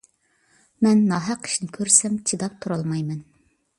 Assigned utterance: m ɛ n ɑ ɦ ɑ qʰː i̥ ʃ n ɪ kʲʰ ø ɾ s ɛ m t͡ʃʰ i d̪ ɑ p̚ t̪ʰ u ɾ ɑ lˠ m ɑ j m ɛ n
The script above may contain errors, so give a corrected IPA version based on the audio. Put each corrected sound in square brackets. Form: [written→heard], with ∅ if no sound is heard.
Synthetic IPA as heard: m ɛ [n→nː] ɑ ɦ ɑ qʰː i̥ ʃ n ɪ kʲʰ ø ɾ s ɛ m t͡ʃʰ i d̪ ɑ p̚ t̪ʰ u ɾ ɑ lˠ m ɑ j m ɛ n